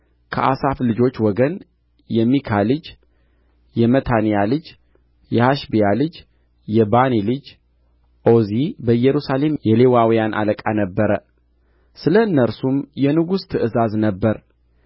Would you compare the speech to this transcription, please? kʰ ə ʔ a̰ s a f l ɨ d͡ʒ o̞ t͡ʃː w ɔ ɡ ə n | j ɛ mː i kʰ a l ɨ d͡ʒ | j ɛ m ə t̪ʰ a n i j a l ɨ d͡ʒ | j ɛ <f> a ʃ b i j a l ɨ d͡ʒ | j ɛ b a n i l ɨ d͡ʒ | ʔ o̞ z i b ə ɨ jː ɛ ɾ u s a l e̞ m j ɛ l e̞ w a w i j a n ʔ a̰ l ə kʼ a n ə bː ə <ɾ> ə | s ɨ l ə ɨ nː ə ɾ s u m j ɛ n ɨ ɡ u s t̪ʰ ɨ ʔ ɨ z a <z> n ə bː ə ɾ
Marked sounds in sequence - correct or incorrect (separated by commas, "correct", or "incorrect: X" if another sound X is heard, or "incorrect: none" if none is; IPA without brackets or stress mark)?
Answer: incorrect: h, correct, correct